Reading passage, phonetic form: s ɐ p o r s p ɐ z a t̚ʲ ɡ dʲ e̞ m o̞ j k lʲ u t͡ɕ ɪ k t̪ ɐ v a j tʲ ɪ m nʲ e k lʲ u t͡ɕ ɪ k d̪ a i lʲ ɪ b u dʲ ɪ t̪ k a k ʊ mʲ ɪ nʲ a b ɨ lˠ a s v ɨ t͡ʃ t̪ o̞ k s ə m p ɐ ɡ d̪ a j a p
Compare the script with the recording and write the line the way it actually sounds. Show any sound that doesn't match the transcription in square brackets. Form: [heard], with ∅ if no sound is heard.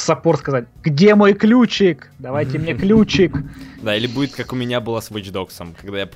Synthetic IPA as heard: s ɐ p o r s [k] ɐ z a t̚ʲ ɡ dʲ e̞ m o̞ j k lʲ u t͡ɕ ɪ k [d̪] ɐ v a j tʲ ɪ m nʲ e k lʲ u t͡ɕ ɪ k d̪ a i lʲ ɪ b u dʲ ɪ t̪ k a k ʊ mʲ ɪ nʲ a b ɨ lˠ a s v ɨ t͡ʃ [d̪] o̞ k s ə m [k] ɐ ɡ d̪ a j a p